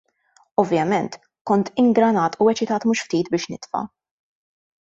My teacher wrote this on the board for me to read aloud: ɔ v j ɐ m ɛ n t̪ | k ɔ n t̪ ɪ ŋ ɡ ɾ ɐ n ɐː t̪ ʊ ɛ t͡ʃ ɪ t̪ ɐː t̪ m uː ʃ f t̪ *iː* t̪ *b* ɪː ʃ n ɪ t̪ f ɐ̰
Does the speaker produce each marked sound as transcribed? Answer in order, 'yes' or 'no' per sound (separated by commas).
yes, yes